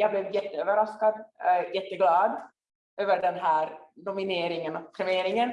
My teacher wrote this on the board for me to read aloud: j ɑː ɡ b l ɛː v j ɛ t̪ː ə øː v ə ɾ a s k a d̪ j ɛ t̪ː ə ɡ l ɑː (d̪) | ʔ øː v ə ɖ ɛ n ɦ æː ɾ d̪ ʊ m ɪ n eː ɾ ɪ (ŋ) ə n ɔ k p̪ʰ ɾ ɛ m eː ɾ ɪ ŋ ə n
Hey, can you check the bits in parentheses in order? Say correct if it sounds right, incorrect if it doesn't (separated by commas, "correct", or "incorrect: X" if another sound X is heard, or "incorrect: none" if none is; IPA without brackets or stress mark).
correct, correct